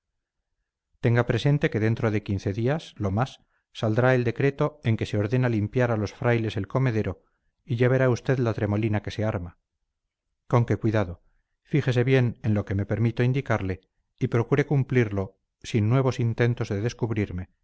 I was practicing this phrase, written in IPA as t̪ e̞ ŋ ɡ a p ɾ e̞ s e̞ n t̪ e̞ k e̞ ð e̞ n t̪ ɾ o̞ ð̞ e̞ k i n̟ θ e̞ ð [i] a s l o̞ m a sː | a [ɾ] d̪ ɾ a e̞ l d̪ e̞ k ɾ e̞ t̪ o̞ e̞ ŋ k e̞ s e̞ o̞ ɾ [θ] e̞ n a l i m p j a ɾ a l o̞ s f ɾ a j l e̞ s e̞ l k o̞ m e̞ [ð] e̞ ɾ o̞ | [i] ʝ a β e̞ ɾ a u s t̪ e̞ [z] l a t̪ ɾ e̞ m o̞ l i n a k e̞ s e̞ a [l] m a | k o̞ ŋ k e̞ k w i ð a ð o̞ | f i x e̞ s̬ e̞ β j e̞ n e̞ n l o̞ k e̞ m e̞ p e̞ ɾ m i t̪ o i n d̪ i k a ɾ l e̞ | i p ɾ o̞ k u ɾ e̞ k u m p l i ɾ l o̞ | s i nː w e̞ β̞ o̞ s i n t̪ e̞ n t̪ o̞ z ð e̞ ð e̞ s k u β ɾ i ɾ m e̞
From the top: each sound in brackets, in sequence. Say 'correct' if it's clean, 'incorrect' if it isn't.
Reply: correct, incorrect: l, incorrect: ð, correct, correct, incorrect: ð, incorrect: ɾ

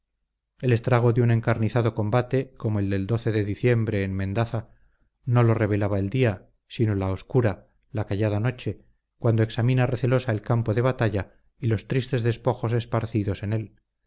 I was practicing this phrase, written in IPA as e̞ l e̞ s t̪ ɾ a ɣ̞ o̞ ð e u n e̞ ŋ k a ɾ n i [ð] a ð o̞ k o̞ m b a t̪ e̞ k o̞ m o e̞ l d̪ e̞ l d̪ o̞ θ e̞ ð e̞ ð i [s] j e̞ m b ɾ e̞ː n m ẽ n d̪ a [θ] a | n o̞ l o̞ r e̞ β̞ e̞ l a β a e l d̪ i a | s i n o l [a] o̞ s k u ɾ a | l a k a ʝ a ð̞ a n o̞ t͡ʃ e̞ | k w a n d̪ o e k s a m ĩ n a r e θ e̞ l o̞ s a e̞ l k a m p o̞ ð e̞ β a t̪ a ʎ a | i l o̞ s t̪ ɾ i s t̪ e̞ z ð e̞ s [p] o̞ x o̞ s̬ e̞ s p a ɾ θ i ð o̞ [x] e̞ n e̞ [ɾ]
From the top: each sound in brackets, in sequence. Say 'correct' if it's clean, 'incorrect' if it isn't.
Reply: incorrect: θ, incorrect: θ, correct, correct, correct, incorrect: s, incorrect: l

